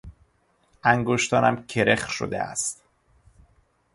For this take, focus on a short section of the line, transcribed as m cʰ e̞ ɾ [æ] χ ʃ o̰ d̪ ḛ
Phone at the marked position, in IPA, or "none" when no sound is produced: e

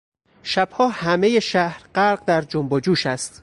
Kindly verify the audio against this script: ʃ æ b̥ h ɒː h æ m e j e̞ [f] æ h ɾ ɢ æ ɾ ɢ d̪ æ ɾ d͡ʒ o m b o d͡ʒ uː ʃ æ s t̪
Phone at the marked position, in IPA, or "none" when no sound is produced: ʃ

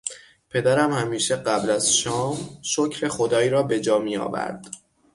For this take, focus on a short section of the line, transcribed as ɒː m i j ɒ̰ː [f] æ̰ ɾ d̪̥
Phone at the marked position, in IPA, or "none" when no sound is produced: v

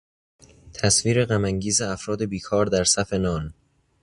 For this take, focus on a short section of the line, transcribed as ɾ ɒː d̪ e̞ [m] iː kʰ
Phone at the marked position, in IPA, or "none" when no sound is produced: b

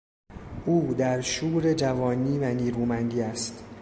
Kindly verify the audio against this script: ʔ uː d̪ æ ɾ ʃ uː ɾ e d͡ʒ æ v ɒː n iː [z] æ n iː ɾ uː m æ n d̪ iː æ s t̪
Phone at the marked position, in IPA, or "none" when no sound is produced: v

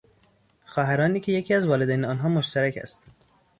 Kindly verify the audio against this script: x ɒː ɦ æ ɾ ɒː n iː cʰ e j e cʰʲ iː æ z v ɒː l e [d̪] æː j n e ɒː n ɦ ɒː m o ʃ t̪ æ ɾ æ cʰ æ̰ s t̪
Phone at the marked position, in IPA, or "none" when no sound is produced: d̪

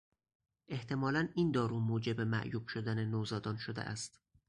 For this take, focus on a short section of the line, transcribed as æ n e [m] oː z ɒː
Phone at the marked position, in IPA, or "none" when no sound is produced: n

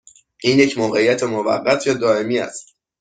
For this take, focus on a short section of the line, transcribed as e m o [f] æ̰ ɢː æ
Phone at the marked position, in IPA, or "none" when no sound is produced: v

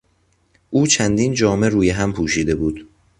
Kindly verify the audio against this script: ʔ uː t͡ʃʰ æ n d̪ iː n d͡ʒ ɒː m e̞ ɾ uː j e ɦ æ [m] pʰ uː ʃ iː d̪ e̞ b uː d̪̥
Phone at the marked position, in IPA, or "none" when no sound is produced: m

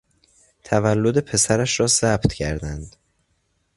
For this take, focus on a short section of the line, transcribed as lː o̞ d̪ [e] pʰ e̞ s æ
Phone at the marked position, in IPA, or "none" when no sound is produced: e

